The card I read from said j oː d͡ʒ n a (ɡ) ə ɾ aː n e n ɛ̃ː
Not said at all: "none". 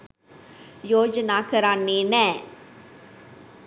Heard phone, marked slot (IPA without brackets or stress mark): k